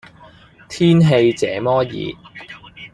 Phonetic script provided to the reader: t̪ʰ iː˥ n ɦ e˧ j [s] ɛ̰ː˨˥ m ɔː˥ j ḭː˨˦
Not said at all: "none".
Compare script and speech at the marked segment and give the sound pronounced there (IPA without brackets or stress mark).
t͡s